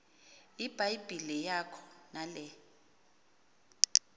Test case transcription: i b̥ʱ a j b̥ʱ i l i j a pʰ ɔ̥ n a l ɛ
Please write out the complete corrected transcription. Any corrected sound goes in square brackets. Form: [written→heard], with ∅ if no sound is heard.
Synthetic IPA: i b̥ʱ a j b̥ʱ i l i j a [pʰ→kʰ] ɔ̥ n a l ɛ